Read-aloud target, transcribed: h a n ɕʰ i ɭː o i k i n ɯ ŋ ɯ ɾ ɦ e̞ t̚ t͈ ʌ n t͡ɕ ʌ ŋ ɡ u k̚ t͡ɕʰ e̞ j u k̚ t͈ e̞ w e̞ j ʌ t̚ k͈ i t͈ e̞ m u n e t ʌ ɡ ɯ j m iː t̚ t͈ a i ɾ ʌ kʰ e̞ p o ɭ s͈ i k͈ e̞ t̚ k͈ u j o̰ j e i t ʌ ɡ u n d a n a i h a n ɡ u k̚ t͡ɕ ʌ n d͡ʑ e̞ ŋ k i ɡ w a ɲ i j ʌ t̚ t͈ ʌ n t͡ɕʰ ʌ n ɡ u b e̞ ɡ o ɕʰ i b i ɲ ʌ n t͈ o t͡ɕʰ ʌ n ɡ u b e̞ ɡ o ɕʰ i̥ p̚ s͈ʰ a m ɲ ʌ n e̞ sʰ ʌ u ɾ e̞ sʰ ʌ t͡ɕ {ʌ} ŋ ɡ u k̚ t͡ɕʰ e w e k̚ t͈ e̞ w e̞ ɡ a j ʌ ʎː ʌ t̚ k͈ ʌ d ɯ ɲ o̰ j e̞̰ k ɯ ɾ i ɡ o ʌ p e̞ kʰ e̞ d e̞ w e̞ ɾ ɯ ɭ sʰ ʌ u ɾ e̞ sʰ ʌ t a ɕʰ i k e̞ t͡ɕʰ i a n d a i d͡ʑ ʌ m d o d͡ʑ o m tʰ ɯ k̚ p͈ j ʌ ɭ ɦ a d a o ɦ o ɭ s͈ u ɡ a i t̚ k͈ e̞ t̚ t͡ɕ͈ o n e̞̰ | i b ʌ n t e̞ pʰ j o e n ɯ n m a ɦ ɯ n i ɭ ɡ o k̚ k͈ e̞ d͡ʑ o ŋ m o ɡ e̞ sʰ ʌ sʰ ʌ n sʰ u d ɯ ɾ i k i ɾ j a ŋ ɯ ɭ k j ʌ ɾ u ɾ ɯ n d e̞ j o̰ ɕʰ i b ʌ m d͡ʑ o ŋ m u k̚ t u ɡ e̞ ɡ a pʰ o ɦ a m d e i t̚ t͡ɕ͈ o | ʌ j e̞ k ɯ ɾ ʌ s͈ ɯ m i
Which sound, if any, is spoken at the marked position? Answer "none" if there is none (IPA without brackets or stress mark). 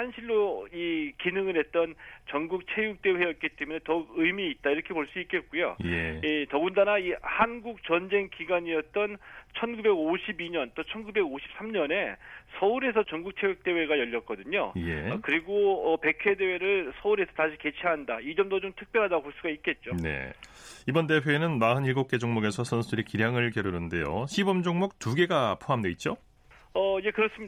ʌ